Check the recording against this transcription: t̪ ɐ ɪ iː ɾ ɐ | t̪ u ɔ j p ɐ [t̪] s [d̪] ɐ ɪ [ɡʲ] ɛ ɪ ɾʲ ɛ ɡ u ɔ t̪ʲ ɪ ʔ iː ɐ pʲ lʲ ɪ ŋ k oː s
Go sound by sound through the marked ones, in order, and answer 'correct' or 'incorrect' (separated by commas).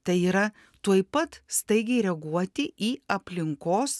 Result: correct, incorrect, correct